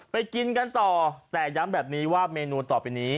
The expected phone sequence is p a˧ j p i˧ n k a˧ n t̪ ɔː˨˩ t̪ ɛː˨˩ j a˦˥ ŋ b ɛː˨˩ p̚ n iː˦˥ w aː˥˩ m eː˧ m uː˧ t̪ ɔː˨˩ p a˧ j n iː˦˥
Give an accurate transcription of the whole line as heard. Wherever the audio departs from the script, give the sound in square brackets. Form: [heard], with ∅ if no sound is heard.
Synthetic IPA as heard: p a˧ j [k] i˧ n k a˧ n t̪ ɔː˨˩ t̪ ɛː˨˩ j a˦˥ [m] b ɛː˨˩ p̚ n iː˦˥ w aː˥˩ m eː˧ [n] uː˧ t̪ ɔː˨˩ p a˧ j n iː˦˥